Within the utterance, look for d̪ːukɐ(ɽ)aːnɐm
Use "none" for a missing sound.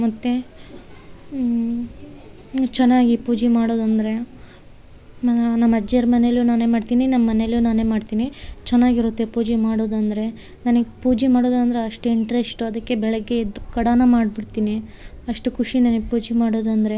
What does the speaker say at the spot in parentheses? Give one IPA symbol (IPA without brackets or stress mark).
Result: ɽ